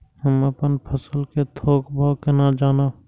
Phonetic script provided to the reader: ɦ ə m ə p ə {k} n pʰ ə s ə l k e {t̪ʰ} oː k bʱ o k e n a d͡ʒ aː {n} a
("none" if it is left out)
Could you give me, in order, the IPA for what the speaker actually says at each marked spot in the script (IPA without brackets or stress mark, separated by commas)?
none, t̪ʰ, n